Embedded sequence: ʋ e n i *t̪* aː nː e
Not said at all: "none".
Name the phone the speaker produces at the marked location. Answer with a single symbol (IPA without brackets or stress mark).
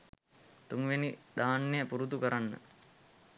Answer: d̪